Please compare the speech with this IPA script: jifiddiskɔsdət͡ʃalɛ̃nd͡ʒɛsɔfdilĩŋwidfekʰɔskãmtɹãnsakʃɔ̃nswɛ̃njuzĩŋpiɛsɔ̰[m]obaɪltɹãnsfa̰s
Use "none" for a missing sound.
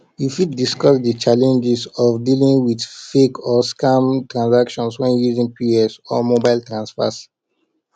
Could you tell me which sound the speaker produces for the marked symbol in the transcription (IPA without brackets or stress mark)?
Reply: m